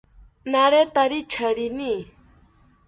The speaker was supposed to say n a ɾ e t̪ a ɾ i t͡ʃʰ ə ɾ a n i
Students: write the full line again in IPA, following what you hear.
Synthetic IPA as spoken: n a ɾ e t̪ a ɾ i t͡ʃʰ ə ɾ i n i